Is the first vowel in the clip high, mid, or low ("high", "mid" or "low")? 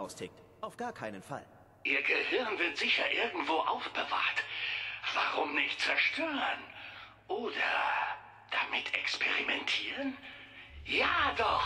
low